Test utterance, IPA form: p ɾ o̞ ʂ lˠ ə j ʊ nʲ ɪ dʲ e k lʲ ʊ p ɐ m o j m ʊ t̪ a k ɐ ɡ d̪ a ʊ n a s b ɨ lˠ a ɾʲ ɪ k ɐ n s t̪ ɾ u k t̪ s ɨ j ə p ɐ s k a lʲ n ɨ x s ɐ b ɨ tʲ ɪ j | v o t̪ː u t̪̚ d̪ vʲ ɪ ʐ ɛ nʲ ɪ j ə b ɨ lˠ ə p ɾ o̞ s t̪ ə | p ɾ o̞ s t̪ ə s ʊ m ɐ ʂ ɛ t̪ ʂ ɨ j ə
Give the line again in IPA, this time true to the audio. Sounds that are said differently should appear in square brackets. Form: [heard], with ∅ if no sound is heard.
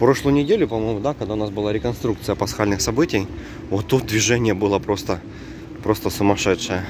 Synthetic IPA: p ɾ o̞ ʂ lˠ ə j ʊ nʲ ɪ dʲ e [∅] lʲ ʊ p ɐ m o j m ʊ [d̪] a k ɐ ɡ d̪ a ʊ n a s b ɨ lˠ a ɾʲ ɪ k ɐ n s t̪ ɾ u k t̪ s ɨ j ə p ɐ s [x] a lʲ n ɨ x s ɐ b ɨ tʲ ɪ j | v o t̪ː u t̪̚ d̪ vʲ ɪ ʐ ɛ nʲ ɪ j ə b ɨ lˠ ə p ɾ o̞ s t̪ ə | p ɾ o̞ s t̪ ə s ʊ m ɐ ʂ ɛ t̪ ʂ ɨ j ə